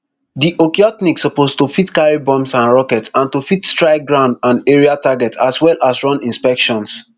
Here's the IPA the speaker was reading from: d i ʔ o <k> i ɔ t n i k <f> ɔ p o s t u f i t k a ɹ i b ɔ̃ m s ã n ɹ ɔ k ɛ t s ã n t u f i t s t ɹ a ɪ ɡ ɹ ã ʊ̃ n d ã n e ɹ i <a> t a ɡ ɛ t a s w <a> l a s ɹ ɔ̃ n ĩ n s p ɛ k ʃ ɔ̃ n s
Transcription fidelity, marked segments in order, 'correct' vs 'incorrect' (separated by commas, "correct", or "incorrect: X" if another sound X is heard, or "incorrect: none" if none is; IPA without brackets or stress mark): correct, incorrect: s, correct, incorrect: ɛ